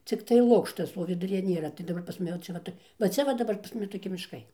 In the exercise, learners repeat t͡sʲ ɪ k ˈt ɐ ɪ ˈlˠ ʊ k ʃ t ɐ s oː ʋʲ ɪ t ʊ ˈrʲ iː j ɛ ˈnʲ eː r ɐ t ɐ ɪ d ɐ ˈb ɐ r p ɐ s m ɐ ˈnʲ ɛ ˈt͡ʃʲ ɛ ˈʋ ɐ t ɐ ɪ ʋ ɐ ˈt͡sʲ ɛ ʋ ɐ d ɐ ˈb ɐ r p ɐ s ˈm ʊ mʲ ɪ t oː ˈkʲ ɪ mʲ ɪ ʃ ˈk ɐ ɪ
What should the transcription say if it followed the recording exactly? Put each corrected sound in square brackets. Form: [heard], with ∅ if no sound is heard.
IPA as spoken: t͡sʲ ɪ k ˈt ɐ ɪ ˈlˠ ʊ k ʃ t ɐ s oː ʋʲ ɪ [d] ʊ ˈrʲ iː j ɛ ˈnʲ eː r ɐ t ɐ ɪ d ɐ ˈb ɐ r p ɐ s m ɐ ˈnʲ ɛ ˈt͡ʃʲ ɛ ˈʋ ɐ t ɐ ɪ ʋ ɐ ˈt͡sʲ ɛ ʋ ɐ d ɐ ˈb ɐ r p ɐ s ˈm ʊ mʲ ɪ t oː ˈkʲ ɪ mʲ ɪ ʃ ˈk ɐ ɪ

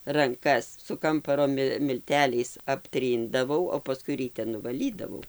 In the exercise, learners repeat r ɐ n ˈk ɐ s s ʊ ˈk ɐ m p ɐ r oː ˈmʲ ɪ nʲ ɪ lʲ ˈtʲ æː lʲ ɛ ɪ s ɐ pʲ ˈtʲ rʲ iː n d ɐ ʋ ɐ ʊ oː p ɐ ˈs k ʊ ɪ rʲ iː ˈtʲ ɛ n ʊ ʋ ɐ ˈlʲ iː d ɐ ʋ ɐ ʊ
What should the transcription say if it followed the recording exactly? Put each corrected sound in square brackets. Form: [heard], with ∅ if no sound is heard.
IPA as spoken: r ɐ [ŋ] ˈk ɐ s s ʊ ˈk ɐ m p ɐ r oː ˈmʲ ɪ [mʲ] ɪ lʲ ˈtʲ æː lʲ ɛ ɪ s ɐ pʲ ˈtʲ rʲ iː n d ɐ ʋ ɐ ʊ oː p ɐ ˈs k ʊ ɪ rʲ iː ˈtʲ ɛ n ʊ ʋ ɐ ˈlʲ iː d ɐ ʋ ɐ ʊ

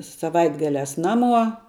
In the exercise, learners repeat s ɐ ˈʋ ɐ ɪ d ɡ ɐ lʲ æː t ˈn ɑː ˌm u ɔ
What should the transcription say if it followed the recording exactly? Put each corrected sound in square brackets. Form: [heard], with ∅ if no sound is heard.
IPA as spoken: s ɐ ˈʋ ɐ ɪ d ɡ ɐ lʲ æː [s] ˈn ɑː ˌm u ɔ

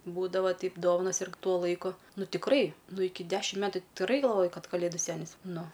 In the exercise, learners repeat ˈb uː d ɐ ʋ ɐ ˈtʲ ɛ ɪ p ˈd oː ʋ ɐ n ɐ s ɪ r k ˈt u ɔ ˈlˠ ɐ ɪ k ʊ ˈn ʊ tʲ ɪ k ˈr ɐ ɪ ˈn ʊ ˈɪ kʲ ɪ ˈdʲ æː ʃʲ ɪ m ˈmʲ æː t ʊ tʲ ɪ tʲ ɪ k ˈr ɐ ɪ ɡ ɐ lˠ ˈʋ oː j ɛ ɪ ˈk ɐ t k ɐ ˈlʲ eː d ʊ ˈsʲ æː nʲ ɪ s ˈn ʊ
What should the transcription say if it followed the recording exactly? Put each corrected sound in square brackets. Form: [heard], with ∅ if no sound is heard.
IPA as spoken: ˈb uː d ɐ ʋ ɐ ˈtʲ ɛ ɪ p ˈd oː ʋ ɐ n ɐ s ɪ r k ˈt u ɔ ˈlˠ ɐ ɪ k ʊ ˈn ʊ tʲ ɪ k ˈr ɐ ɪ ˈn ʊ ˈɪ kʲ ɪ ˈdʲ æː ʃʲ ɪ m ˈmʲ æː t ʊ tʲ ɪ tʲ ɪ k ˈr ɐ ɪ ɡ ɐ lˠ ˈʋ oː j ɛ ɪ ˈk ɐ t k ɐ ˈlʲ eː d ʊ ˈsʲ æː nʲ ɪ s ˈn ʊ

